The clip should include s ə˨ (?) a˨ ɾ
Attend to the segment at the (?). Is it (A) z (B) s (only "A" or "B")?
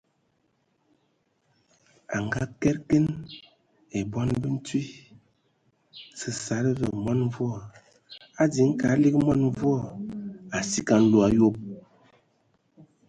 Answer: B